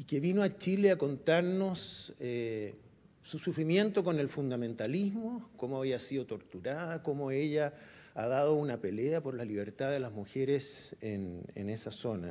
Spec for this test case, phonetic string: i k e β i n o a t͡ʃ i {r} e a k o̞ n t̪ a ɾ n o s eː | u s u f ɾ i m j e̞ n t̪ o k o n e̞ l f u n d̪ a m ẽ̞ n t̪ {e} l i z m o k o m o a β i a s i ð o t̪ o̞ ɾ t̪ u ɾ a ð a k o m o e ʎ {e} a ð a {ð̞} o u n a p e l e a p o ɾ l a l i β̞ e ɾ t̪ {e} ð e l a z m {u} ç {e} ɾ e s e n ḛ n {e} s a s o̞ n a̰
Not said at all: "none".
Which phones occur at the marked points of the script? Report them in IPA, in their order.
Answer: l, a, a, ð̞, a, u, e, e

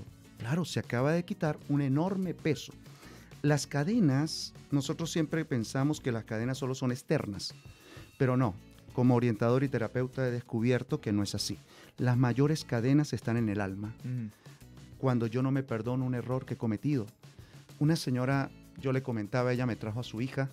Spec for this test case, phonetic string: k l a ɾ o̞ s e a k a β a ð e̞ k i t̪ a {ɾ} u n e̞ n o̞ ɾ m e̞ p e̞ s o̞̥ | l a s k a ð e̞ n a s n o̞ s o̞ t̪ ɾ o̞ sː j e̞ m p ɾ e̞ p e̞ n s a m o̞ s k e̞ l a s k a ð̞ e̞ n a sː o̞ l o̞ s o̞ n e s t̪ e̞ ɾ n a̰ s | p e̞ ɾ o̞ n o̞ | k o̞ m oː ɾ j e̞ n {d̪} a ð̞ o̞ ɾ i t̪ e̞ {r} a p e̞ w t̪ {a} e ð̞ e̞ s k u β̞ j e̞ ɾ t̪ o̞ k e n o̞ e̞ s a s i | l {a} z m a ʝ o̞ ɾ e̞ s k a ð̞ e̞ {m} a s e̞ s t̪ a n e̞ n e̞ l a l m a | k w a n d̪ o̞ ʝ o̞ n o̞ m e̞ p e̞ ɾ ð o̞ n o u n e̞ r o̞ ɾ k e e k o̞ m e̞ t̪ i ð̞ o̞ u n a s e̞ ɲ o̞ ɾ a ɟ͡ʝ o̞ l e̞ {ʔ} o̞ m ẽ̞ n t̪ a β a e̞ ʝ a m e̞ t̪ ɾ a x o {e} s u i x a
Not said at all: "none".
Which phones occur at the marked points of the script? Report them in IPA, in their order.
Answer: ɾ, t̪, ɾ, a, a, n, k, a

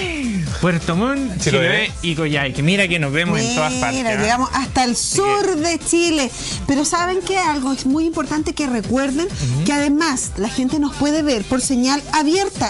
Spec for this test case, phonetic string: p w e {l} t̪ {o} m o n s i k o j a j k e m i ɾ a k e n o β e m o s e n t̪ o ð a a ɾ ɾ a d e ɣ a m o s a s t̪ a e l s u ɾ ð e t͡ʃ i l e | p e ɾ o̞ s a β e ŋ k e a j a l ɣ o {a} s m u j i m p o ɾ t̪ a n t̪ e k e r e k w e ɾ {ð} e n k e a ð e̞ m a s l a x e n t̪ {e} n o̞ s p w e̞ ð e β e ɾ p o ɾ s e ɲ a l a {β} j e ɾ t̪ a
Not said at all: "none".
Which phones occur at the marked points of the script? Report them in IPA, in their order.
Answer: ɾ, o, e, ð, e, β

